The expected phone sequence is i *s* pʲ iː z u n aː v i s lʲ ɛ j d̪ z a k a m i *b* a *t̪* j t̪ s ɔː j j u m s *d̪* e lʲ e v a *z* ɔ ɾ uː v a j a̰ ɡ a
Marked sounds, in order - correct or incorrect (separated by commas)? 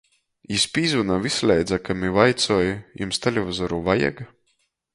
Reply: correct, incorrect, incorrect, incorrect, correct